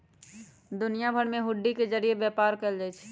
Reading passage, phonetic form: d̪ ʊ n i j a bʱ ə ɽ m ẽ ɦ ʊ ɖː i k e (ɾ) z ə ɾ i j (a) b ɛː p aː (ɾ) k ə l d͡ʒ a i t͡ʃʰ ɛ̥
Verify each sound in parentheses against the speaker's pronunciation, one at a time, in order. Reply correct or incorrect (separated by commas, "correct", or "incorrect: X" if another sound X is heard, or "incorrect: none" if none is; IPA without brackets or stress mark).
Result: incorrect: none, incorrect: e, correct